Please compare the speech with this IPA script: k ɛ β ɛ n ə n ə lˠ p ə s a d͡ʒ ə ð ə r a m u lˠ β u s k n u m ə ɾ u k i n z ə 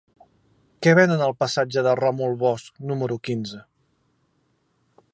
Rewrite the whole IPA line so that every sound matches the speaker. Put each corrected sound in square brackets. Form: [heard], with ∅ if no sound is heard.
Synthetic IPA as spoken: k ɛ β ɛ n ə n ə lˠ p ə s a d͡ʒ ə ð ə r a m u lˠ β [ɔ] s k n u m ə ɾ u k i n z ə